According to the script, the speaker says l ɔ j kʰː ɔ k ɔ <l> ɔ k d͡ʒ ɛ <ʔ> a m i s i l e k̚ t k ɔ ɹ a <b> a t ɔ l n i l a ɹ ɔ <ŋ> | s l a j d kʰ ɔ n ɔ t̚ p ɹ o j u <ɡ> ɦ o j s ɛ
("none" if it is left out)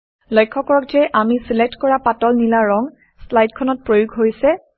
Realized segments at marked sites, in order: ɹ, ʔ, p, ŋ, ɡ

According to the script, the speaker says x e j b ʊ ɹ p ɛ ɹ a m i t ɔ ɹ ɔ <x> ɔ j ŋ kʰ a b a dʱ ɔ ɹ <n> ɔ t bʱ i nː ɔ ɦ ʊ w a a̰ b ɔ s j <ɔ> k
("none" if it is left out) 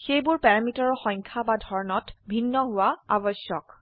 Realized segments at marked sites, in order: x, n, ɔ

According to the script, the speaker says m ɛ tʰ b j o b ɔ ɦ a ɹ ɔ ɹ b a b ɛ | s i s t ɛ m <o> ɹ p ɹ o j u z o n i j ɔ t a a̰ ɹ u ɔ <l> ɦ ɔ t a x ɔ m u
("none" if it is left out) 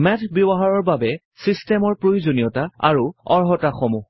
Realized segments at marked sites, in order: ɔ, ɹ

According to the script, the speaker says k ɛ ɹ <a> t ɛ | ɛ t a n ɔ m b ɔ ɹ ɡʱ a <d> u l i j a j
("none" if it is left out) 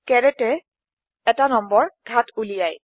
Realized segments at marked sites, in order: ɛ, t

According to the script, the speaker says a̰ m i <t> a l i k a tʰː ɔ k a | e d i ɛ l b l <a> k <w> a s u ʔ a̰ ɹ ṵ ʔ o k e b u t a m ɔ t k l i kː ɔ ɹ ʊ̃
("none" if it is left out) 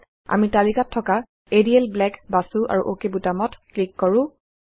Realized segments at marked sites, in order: t, ɛ, b

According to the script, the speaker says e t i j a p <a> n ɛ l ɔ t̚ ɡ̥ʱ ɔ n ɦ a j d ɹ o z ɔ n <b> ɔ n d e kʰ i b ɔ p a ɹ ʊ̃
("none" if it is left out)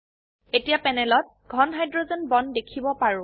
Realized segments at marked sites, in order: ɛ, b

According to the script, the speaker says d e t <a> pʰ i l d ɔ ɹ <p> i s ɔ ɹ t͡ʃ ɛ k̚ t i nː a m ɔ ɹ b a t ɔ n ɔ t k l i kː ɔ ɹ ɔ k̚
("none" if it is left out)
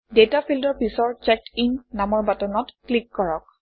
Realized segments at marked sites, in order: a, p

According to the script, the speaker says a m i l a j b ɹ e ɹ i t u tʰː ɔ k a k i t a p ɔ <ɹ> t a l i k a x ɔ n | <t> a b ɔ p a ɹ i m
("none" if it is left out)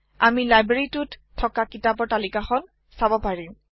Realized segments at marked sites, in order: ɹ, s

